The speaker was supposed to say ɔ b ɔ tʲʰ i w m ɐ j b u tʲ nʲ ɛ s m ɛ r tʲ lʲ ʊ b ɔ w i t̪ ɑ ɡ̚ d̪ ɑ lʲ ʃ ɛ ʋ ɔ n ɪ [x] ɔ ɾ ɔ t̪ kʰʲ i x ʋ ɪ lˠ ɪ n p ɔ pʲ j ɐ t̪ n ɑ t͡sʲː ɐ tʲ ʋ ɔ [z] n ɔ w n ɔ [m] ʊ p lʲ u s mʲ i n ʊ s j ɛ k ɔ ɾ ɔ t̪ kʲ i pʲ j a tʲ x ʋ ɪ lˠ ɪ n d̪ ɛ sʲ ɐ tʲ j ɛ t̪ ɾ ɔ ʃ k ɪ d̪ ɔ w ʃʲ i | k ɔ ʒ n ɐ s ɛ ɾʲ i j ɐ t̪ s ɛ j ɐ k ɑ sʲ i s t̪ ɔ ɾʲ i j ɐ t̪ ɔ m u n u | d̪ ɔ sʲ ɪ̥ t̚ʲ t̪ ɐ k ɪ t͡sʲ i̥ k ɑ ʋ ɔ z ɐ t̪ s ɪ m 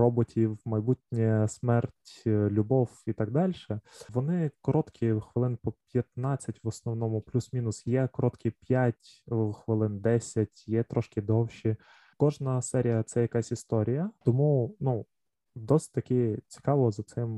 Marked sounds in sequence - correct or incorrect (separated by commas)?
incorrect, incorrect, correct